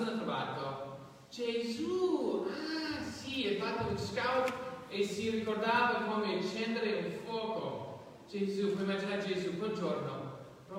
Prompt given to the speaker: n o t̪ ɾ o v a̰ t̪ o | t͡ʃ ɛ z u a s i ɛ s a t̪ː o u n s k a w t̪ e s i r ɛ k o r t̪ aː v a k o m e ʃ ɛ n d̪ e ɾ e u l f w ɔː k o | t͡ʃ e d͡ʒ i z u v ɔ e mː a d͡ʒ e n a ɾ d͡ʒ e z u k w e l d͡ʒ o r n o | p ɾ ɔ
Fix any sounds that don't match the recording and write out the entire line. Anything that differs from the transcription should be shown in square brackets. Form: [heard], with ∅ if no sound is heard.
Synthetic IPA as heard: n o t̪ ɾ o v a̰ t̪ o | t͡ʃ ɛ z u a s i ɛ [f] a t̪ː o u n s k a w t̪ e s i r [i] k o r [d̪] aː v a k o m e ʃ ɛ n d̪ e ɾ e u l f w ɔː k o | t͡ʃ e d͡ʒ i z u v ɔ [i] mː a d͡ʒ [i] n a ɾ d͡ʒ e z u k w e l d͡ʒ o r n o | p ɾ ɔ